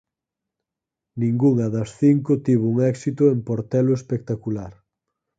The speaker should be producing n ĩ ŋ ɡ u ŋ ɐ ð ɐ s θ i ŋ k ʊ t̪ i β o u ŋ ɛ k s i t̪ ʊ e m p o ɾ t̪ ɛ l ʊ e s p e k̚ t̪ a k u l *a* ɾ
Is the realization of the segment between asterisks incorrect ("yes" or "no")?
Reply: no